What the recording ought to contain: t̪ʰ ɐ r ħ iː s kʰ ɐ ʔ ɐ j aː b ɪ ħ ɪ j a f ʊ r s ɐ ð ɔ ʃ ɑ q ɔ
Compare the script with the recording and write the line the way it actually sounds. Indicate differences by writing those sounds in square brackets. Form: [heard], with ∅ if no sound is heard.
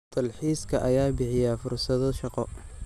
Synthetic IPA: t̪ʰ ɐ [l] ħ iː s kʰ ɐ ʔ ɐ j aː b ɪ ħ ɪ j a f ʊ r s ɐ ð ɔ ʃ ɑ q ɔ